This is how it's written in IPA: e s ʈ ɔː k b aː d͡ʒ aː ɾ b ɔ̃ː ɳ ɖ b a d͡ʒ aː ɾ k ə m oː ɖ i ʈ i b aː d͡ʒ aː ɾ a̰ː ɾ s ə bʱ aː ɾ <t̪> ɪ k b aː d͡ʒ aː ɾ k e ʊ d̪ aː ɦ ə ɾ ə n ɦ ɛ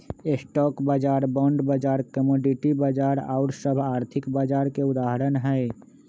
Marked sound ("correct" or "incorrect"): incorrect